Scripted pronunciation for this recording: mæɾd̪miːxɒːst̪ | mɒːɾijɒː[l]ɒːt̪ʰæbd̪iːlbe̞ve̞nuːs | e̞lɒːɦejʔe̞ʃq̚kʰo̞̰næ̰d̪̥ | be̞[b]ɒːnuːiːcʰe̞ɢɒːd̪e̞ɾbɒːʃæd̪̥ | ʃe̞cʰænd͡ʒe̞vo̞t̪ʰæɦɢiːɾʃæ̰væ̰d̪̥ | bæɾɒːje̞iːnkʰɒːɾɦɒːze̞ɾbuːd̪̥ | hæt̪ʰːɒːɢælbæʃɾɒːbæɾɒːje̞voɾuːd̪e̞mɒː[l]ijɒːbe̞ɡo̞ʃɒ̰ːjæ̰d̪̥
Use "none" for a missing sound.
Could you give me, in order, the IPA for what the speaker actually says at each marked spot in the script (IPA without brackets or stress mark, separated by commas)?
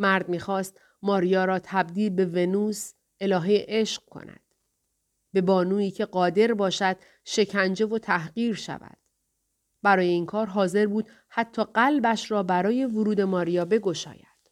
ɾ, b, ɾ